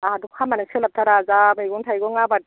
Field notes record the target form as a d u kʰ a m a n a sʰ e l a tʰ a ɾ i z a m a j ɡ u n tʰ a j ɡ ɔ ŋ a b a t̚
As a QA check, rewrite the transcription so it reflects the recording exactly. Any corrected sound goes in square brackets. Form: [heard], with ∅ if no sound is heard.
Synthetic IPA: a d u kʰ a m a n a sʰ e l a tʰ a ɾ [a] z a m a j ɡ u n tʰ a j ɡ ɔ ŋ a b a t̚